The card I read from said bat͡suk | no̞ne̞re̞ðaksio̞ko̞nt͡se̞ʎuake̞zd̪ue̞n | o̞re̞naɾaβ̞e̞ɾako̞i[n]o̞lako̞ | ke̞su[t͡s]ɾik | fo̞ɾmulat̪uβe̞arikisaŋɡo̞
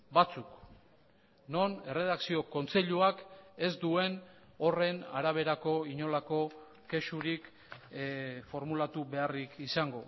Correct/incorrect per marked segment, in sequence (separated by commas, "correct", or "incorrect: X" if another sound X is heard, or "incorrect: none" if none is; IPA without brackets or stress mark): incorrect: ɲ, incorrect: none